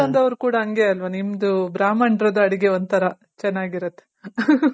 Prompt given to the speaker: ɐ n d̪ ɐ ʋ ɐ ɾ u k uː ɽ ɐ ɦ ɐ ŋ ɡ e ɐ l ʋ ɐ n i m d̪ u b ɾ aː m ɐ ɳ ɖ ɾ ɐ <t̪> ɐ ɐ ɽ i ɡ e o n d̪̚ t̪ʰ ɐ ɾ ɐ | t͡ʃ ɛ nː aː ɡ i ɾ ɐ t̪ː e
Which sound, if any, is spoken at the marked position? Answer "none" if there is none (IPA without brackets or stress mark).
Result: d̪